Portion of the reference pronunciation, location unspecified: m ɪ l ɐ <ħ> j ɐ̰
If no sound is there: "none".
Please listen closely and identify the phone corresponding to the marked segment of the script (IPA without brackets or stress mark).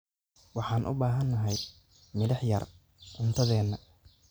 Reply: ħ